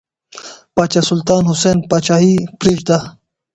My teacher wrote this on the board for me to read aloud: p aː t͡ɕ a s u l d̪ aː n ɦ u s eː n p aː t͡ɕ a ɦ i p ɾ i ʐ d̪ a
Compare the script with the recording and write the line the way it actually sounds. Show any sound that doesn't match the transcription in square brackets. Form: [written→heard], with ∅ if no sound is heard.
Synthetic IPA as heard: p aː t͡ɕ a s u l [d̪→t̪] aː n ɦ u s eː n p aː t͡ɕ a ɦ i p ɾ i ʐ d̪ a